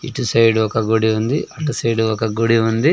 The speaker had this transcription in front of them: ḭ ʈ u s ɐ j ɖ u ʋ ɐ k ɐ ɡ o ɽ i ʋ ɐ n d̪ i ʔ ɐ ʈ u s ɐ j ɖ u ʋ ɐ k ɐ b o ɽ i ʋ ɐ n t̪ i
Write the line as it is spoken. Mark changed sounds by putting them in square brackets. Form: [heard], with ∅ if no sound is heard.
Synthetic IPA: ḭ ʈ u s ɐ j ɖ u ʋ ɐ k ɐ ɡ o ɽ i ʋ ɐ n d̪ i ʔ ɐ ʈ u s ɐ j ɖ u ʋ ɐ k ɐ [ɡ] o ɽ i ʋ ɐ n [d̪] i

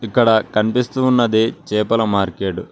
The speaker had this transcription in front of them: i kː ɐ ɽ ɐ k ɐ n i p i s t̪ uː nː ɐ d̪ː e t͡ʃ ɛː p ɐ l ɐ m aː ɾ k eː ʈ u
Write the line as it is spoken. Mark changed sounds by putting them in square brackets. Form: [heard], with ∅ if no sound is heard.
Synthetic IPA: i kː ɐ ɽ ɐ k ɐ n i p i s t̪ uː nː ɐ [d̪] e t͡ʃ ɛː p ɐ l ɐ m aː ɾ k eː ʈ u

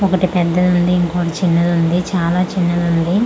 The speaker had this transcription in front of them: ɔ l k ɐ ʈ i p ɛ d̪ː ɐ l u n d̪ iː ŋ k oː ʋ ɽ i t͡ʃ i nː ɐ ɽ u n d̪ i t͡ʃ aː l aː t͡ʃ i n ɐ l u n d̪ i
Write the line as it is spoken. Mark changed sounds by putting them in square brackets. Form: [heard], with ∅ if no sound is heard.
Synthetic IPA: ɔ [∅] k ɐ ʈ i p ɛ d̪ː ɐ l u n d̪ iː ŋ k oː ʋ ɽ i t͡ʃ i nː ɐ [l] u n d̪ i t͡ʃ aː l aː t͡ʃ i [nː] ɐ l u n d̪ i

